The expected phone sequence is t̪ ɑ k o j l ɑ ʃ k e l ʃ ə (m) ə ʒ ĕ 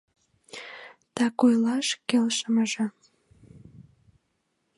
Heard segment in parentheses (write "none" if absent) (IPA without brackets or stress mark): m